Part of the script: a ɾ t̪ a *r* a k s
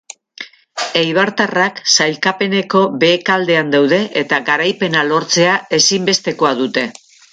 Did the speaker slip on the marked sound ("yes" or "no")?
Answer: no